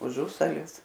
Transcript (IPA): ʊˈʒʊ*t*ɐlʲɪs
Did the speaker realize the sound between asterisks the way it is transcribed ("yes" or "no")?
no